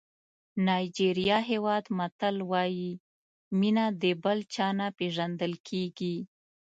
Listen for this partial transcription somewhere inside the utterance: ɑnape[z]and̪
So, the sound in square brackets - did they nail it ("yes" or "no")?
no